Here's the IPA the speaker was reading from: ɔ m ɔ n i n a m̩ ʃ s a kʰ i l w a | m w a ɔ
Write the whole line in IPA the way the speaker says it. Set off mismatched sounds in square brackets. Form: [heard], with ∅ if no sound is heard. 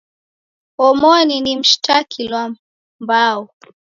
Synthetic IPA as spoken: ɔ m ɔ n i n [i] m̩ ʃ [t] a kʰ i l w a | m [b] a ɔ